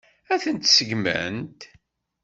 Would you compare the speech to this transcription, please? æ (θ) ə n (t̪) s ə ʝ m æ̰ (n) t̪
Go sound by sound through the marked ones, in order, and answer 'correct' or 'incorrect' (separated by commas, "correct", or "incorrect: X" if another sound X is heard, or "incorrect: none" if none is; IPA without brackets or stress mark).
correct, correct, correct